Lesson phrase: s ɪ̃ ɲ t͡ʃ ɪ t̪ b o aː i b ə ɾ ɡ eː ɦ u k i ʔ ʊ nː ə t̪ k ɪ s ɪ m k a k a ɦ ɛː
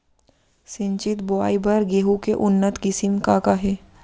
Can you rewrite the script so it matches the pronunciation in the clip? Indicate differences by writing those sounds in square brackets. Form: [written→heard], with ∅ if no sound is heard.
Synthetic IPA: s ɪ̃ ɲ t͡ʃ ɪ t̪ b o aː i b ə ɾ ɡ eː ɦ u k [i→e] ʔ ʊ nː ə t̪ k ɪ s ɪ m k a k a ɦ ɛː